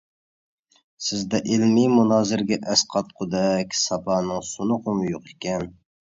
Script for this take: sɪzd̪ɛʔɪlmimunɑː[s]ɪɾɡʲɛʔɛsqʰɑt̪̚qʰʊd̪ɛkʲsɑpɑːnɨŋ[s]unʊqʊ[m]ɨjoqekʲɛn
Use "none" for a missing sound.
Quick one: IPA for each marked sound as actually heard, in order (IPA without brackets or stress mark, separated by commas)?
z, s, m